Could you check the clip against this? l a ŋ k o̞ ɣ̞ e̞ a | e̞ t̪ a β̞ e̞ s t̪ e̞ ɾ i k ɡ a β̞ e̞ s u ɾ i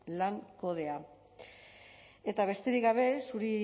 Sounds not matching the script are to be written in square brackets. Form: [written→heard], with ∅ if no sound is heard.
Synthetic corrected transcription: l a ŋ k o̞ [ɣ̞→ð̞] e̞ a | e̞ t̪ a β̞ e̞ s t̪ e̞ ɾ i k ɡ a β̞ e̞ s u ɾ i